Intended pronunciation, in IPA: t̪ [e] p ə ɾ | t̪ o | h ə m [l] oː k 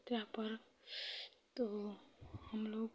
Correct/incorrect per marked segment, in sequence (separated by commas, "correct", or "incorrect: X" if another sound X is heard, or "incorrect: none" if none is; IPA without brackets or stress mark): incorrect: a, correct